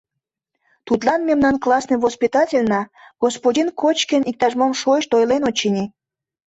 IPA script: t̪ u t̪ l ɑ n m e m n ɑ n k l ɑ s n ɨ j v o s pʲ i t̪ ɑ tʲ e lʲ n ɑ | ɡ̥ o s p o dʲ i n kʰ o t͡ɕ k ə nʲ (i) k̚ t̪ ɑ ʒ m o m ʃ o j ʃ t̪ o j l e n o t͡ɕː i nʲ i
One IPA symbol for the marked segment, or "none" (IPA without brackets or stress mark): i